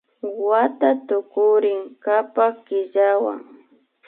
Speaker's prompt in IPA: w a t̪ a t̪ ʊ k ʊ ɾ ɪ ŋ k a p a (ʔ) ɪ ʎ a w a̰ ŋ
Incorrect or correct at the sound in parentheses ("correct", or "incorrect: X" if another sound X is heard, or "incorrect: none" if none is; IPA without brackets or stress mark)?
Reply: incorrect: k